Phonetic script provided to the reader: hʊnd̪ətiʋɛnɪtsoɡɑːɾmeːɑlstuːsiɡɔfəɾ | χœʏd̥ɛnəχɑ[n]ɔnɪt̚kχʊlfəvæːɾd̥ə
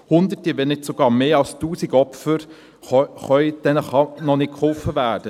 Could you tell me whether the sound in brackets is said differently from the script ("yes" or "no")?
no